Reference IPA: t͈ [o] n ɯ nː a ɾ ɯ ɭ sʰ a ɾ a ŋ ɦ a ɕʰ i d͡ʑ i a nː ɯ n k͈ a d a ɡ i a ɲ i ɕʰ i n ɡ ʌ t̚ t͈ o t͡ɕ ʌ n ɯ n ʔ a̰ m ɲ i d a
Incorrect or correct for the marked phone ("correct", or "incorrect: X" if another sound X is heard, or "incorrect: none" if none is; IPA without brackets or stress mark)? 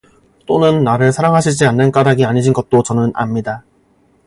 correct